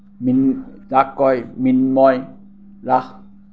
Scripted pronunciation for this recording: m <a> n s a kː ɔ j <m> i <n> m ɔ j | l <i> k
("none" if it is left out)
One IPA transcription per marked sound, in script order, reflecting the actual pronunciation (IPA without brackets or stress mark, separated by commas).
i, m, n, a